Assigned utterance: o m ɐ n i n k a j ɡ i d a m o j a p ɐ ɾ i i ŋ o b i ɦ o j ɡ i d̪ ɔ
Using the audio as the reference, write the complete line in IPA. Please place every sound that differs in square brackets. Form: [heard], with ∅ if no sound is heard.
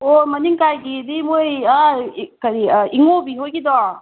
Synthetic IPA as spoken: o m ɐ n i [ŋ] k a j ɡ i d [i] m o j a [k] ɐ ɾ i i ŋ o b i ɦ o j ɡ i d̪ ɔ

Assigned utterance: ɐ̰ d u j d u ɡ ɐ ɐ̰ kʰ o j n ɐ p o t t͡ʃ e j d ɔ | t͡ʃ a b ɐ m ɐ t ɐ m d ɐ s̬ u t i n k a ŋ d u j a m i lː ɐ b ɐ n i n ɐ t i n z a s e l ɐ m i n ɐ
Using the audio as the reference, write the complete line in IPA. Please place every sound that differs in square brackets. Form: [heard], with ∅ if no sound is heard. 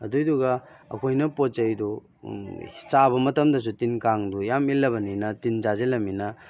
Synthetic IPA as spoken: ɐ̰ d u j d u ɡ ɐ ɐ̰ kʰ o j n ɐ p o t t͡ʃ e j d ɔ | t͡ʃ a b ɐ m ɐ t ɐ m d ɐ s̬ u t i n k a ŋ d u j a m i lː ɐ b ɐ n i n ɐ t i n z a [z] e l ɐ m i n ɐ

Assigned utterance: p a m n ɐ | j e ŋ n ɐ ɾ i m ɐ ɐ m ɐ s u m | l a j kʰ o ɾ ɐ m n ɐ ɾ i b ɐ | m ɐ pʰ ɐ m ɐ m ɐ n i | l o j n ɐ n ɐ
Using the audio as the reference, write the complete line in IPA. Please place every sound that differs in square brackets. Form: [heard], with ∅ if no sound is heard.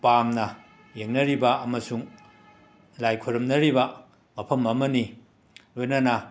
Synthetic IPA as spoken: p a m n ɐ | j e ŋ n ɐ ɾ i [b] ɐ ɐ m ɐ s u [ŋ] | l a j kʰ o ɾ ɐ m n ɐ ɾ i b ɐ | m ɐ pʰ ɐ m ɐ m ɐ n i | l o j n ɐ n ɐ

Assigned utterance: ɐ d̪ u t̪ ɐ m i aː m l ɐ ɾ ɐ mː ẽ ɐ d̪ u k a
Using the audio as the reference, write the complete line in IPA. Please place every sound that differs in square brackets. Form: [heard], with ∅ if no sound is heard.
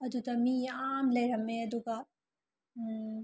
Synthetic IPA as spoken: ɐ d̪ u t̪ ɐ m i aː m l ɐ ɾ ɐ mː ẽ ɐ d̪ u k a

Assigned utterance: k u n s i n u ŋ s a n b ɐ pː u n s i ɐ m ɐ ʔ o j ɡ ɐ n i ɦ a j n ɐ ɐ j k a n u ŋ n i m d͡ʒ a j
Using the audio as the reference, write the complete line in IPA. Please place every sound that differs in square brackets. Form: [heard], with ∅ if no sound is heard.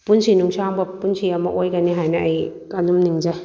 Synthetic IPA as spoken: [p] u n s i n u ŋ s a [ŋ] b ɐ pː u n s i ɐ m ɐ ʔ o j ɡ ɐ n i ɦ a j n ɐ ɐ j k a n u [m] n i [ŋ] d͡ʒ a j

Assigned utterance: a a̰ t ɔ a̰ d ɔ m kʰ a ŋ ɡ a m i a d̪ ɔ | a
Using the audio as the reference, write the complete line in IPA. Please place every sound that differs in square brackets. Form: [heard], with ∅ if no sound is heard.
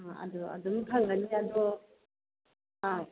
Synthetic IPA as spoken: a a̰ [d] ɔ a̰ d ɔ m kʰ a ŋ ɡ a [n] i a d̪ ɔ | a

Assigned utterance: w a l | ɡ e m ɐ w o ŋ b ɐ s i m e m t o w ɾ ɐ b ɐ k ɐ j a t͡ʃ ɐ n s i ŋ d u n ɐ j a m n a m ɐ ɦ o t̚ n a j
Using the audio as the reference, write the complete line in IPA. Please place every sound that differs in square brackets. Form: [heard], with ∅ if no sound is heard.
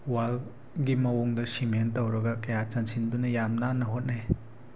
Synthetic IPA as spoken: w a l | ɡ [i] m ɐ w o ŋ [d] ɐ s i m e [n] t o w ɾ ɐ [ɡ] ɐ k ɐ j a t͡ʃ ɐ n s i [n] d u n ɐ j a m n a [n] ɐ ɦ o t̚ n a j

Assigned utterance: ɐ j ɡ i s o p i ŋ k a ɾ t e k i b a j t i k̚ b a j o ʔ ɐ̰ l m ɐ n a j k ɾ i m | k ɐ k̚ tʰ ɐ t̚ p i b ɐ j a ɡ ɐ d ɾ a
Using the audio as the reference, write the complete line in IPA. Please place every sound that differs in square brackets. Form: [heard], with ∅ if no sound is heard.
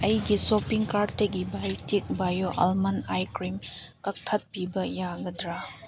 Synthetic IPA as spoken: ɐ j ɡ i s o p i ŋ k a ɾ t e [ɡ] i b a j t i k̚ b a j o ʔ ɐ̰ l m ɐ n a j k ɾ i m | k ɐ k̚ tʰ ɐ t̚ p i b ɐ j a ɡ ɐ d ɾ a

